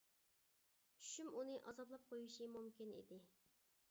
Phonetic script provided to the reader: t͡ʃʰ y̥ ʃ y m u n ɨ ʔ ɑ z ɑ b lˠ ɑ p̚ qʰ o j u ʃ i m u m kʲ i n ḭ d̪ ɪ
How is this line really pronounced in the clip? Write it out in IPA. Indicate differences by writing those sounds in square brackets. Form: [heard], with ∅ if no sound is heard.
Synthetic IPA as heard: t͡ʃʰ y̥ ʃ y m u n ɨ ʔ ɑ z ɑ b lˠ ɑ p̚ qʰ o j u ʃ i m u m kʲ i n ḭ d̪ ɪ